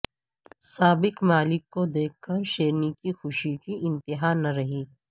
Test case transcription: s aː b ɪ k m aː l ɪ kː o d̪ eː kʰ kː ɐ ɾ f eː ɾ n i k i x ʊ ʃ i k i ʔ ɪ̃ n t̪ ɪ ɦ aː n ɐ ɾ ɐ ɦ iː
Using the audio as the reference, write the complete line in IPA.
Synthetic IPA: s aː b ɪ k m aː l ɪ kː o d̪ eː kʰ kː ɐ ɾ ʃ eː ɾ n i k i x ʊ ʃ i k i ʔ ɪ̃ n t̪ ɪ ɦ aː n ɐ ɾ ɐ ɦ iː

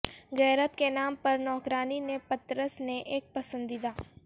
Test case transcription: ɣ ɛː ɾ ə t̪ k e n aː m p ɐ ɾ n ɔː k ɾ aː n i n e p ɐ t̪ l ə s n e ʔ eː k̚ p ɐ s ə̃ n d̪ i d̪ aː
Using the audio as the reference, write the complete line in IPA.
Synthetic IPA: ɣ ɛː ɾ ə t̪ k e n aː m p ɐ ɾ n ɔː k ɾ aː n i n e p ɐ t̪ ɾ ə s n e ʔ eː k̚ p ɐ s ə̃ n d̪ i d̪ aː

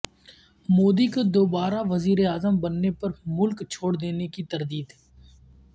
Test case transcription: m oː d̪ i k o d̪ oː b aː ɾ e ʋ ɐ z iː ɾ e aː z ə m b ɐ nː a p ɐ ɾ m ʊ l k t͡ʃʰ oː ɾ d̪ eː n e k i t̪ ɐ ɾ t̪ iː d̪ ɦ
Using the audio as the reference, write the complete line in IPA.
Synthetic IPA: m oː d̪ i k o d̪ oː b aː ɾ a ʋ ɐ z iː ɾ e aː z ə m b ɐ nː e p ɐ ɾ m ʊ l k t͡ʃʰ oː ɽ d̪ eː n e k i t̪ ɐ ɾ d̪ iː d̪ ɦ

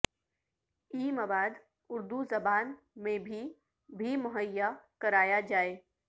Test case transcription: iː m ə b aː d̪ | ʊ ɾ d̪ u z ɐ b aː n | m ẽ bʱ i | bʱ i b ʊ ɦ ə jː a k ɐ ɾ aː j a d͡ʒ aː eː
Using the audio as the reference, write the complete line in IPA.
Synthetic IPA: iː m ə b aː d̪ | ʊ ɾ d̪ u z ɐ b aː n | m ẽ bʱ i | bʱ i m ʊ ɦ ə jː a k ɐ ɾ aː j a d͡ʒ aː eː

